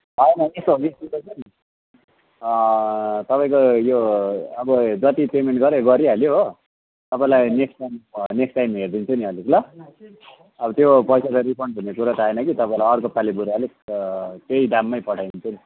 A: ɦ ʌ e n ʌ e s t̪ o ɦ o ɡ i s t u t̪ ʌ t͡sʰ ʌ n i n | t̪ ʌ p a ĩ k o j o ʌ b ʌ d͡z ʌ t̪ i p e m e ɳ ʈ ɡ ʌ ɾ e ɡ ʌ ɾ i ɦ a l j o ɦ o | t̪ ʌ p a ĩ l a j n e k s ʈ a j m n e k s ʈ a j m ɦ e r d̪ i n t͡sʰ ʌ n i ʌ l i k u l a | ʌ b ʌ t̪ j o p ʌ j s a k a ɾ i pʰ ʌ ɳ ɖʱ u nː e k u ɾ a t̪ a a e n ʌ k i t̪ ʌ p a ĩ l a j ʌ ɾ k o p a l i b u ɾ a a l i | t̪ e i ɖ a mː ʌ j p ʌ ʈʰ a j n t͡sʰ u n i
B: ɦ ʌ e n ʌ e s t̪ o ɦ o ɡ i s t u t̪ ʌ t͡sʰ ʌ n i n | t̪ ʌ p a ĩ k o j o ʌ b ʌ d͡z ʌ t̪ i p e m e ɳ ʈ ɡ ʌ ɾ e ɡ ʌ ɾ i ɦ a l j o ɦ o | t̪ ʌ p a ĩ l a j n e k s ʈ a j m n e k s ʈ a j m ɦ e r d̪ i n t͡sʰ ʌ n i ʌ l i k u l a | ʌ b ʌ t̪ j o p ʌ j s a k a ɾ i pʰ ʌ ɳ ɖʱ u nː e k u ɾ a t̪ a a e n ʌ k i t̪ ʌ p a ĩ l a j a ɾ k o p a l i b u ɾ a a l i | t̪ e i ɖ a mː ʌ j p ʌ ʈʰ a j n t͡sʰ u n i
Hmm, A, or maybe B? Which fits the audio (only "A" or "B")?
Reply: A